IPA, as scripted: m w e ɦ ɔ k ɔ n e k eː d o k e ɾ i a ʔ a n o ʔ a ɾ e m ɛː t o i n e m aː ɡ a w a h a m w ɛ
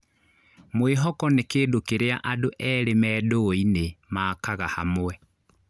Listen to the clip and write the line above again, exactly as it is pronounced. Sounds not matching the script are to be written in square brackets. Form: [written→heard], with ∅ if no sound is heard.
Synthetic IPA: m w e ɦ ɔ k ɔ n e k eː d o k e ɾ [i→e] a ʔ a [n→d] o ʔ [a→ɛ] ɾ e m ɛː [t→d] o i n e m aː [ɡ→k] a [w→ɣ] a h a m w ɛ